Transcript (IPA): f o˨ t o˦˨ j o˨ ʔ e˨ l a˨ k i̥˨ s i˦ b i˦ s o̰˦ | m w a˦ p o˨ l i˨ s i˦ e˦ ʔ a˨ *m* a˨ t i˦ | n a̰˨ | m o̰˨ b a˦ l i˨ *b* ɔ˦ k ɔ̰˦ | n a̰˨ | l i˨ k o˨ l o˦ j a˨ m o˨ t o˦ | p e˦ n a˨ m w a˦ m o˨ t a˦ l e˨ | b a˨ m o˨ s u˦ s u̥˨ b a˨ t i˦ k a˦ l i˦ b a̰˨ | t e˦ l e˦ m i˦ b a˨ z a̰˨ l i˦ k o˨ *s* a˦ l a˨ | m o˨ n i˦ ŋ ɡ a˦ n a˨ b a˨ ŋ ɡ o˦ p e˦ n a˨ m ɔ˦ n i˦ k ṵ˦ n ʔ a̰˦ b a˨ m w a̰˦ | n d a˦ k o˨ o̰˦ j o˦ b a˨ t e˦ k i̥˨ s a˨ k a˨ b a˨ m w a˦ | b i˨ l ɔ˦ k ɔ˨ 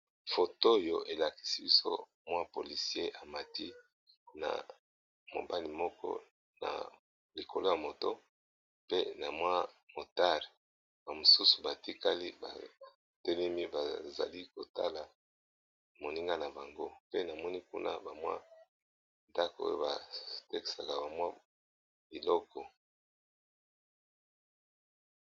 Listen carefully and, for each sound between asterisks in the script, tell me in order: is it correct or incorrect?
correct, incorrect: m, incorrect: t

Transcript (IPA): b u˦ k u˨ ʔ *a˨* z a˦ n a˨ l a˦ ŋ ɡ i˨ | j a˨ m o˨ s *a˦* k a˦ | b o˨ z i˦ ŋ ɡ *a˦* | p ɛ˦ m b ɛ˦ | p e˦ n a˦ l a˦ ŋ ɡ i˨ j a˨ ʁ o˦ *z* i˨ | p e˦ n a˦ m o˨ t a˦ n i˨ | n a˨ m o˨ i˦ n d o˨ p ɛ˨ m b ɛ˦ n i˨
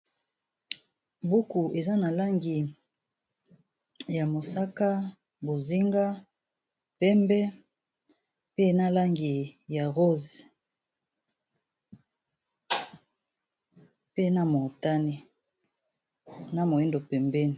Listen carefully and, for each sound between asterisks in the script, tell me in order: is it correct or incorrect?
incorrect: e˨, correct, correct, correct

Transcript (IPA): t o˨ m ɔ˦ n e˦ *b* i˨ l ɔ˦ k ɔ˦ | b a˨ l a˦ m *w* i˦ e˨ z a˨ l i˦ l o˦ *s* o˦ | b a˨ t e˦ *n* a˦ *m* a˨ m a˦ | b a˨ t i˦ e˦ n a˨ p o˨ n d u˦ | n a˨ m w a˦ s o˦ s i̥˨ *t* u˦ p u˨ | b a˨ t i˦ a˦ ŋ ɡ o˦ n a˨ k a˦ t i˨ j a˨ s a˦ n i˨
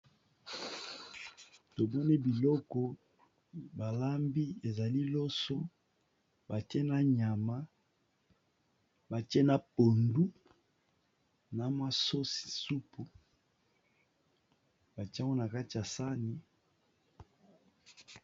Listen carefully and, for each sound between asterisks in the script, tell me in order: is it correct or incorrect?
correct, incorrect: b, correct, correct, incorrect: ɲ, incorrect: s

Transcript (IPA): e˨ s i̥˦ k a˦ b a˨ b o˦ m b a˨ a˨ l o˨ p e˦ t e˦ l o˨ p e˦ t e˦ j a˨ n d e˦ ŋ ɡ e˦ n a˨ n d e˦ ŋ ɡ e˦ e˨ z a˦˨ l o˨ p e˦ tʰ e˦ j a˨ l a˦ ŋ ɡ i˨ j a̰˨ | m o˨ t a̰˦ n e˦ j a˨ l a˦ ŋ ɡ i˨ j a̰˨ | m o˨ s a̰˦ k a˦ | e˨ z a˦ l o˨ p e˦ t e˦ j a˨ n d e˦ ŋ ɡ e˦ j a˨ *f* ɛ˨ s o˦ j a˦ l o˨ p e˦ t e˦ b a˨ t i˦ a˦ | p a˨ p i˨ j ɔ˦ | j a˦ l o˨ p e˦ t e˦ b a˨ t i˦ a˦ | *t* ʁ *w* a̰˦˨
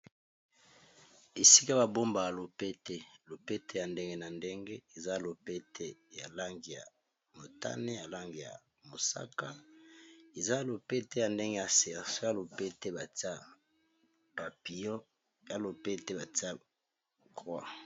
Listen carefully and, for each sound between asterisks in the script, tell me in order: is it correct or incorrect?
incorrect: s, incorrect: k, correct

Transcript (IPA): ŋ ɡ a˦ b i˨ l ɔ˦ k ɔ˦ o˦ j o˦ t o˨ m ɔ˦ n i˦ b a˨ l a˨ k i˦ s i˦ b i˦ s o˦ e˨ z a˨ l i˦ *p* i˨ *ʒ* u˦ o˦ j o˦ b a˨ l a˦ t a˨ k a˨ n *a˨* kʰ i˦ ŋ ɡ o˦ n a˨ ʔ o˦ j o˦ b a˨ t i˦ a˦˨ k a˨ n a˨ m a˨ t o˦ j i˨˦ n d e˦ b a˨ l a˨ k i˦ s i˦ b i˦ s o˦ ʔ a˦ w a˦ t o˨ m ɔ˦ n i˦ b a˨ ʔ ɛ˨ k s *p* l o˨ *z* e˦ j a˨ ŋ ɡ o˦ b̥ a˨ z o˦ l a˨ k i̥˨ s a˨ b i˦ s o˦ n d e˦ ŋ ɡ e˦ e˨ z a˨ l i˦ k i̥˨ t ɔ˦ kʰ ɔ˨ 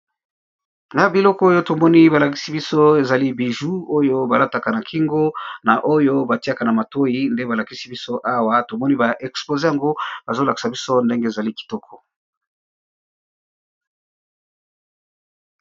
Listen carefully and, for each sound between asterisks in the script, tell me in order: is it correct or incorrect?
incorrect: b, correct, correct, correct, correct

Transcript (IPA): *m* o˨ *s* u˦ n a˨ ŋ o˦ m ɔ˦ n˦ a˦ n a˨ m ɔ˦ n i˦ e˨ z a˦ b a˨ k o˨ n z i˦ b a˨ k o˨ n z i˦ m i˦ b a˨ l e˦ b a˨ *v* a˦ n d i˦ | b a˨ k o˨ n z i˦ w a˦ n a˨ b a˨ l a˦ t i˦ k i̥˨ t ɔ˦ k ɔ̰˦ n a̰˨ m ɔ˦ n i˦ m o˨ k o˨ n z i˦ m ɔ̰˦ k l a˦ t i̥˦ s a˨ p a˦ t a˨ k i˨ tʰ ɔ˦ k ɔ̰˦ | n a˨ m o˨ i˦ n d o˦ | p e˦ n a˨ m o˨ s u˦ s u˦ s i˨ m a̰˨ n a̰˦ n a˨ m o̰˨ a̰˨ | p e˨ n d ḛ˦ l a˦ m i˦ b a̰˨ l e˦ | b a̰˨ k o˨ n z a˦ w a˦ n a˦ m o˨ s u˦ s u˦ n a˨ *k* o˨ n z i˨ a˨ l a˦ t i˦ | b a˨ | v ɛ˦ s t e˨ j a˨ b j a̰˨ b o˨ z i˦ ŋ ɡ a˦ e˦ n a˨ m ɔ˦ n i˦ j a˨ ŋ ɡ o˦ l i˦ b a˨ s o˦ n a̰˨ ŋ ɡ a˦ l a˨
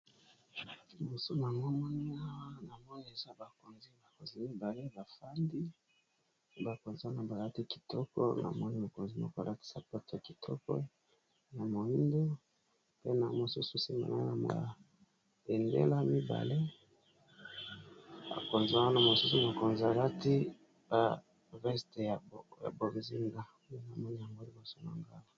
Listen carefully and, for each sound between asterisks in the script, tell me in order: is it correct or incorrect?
correct, correct, incorrect: f, correct

